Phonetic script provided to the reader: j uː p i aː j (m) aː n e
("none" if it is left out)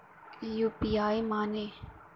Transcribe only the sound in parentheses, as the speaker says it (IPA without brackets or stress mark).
m